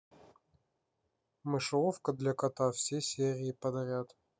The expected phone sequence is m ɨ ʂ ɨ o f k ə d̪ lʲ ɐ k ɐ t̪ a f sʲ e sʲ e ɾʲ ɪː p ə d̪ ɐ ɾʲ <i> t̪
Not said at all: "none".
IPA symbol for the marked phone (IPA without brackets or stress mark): a